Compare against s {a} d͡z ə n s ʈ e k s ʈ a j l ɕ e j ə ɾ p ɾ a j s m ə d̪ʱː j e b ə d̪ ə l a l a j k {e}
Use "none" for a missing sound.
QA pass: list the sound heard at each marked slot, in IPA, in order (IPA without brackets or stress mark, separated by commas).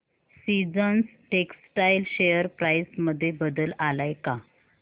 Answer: i, a